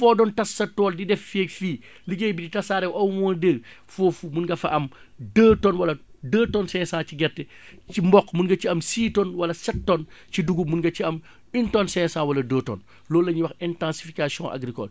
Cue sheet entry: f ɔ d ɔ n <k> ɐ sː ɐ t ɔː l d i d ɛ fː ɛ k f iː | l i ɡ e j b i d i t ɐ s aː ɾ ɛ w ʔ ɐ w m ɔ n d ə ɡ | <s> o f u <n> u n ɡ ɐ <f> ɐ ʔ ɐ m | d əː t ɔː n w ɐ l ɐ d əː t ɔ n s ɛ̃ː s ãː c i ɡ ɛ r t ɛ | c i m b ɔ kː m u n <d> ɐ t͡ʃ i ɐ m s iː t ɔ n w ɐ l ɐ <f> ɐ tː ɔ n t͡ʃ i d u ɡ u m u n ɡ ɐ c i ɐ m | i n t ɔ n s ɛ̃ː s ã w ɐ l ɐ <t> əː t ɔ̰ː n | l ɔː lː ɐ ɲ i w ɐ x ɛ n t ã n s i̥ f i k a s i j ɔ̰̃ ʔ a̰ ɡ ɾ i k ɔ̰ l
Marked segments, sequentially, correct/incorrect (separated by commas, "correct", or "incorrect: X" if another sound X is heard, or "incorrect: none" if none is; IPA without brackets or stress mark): incorrect: t, incorrect: f, incorrect: m, correct, incorrect: ɡ, incorrect: s, incorrect: d